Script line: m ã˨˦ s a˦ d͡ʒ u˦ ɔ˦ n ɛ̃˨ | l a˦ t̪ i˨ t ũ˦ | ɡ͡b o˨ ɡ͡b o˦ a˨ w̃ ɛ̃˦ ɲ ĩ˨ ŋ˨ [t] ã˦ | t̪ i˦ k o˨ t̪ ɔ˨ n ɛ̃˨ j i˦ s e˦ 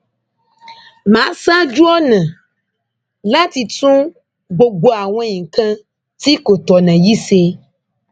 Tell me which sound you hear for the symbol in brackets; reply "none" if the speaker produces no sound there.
k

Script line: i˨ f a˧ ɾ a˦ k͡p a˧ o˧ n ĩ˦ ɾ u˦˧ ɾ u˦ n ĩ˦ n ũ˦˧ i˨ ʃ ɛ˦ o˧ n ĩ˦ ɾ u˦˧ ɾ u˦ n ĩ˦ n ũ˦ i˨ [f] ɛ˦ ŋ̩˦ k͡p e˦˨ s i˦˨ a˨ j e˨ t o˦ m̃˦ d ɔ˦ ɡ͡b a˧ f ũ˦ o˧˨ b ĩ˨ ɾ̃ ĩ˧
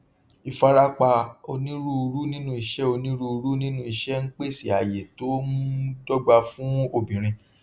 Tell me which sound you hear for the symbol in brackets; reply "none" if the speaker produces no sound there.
ʃ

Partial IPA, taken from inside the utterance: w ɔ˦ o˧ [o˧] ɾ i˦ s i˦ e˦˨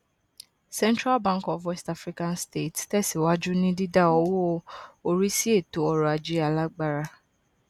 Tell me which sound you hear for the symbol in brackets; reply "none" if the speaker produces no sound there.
o˧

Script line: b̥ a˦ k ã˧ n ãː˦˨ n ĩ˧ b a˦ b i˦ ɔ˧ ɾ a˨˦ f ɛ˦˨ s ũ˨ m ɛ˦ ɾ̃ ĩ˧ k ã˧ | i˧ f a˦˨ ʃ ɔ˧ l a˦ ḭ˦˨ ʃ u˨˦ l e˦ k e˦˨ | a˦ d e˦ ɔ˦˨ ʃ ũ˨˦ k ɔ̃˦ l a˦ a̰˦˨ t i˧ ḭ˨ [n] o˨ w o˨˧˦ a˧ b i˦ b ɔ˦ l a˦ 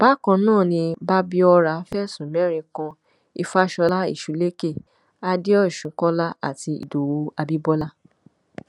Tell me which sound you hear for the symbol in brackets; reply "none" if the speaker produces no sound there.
d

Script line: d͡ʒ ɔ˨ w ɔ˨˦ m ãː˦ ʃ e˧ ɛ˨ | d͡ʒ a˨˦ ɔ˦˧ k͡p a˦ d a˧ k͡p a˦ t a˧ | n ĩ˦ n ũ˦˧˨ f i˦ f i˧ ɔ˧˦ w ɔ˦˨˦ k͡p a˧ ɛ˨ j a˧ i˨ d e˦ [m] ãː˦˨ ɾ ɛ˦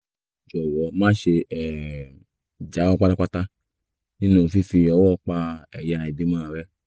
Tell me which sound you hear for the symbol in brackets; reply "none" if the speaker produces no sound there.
m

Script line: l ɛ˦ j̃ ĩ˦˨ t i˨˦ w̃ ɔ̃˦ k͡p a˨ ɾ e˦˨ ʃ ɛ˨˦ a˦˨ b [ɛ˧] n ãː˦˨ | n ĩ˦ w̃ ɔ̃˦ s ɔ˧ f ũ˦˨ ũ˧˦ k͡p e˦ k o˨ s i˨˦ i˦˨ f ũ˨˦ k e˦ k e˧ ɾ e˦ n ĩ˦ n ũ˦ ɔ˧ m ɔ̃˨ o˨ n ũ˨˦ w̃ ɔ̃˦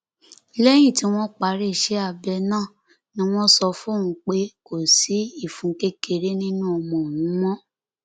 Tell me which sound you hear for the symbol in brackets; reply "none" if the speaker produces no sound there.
ɛ˧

